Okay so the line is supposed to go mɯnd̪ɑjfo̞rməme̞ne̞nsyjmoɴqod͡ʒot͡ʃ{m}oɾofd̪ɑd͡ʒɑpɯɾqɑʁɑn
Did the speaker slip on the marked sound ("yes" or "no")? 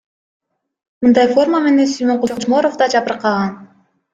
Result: no